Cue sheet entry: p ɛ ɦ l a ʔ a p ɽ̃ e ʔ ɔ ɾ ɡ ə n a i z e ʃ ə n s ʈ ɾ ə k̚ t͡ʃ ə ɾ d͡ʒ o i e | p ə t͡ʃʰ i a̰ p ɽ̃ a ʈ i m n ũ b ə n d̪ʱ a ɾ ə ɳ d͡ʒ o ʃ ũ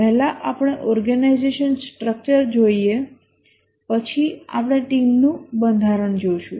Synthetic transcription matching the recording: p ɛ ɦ l a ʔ a p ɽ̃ e ʔ ɔ ɾ ɡ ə n a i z e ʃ ə n s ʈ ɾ ə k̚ t͡ʃ ə ɾ d͡ʒ o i e | p ə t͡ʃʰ i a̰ p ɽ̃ e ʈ i m n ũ b ə n d̪ʱ a ɾ ə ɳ d͡ʒ o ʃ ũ